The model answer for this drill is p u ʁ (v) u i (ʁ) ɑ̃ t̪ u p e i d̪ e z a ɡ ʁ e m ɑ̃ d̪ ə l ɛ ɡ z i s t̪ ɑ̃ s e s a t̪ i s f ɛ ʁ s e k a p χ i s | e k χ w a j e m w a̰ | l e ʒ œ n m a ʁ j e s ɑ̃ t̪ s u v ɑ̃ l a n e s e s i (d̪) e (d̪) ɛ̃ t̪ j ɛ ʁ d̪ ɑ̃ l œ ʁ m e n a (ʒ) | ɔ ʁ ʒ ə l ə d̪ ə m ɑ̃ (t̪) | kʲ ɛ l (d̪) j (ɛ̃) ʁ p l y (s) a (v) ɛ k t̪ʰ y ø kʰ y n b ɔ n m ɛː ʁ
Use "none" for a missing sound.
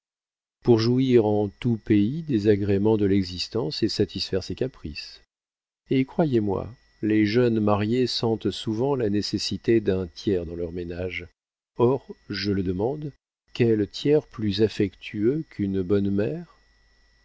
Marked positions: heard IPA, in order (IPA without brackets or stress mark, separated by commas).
ʒ, ʁ, t̪, d̪, ʒ, d̪, t̪, ɛ, z, f